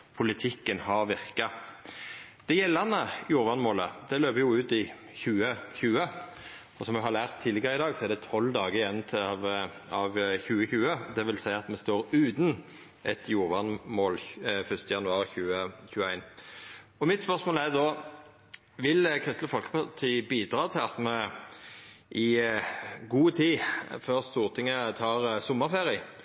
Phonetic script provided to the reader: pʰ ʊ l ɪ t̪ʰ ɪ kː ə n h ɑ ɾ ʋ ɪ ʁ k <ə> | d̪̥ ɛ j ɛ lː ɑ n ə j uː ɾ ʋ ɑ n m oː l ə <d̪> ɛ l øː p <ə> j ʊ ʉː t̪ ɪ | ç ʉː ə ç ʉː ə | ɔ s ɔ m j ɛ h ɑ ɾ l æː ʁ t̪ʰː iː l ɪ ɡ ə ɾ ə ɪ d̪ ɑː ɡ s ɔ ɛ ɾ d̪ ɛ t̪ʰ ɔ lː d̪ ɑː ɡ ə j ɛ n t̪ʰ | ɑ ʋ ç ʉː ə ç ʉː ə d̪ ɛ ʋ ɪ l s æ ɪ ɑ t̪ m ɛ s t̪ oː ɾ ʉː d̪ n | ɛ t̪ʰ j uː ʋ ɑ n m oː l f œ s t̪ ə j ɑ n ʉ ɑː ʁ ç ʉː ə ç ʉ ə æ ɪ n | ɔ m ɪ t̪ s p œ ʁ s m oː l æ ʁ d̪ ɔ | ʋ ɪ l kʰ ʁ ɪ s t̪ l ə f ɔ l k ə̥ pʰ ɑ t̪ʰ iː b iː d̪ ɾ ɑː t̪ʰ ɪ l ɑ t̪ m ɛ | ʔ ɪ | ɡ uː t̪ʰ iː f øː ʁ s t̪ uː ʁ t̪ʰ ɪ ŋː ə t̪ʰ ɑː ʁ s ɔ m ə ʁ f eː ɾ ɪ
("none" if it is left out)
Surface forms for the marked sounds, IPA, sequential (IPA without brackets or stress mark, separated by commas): ɑ, d̪, ə